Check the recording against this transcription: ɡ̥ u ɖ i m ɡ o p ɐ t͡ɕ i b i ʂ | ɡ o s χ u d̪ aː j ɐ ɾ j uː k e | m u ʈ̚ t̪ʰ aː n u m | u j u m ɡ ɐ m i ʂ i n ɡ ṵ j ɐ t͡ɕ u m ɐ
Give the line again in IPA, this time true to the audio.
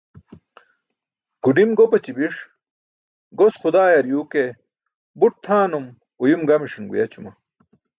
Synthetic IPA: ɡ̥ u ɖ i m ɡ o p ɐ t͡ɕ i b i ʂ | ɡ o s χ u d̪ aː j ɐ ɾ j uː k e | b u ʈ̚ t̪ʰ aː n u m | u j u m ɡ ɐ m i ʂ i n ɡ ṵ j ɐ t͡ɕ u m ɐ